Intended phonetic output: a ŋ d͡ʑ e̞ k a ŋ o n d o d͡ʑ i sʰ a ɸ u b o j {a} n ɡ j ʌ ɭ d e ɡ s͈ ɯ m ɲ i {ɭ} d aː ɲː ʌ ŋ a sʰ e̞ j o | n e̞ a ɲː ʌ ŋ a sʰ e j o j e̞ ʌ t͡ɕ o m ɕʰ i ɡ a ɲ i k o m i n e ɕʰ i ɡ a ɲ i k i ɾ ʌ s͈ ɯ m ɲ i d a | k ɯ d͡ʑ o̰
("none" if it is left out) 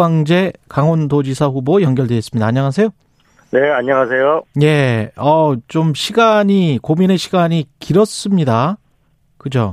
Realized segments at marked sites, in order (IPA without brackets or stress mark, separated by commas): ʌ, none